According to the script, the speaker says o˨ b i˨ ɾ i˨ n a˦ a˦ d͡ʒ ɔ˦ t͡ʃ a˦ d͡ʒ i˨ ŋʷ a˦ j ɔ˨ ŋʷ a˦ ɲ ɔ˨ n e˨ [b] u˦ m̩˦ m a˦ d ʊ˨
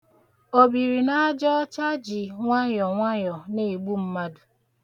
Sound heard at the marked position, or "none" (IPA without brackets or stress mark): ɡ͡b